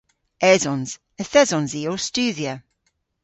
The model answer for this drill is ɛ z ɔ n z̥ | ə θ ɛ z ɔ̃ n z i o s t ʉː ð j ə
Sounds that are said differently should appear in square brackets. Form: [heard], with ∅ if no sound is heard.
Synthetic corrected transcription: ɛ z ɔ n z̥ | ə θ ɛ z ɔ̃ n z i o s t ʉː ð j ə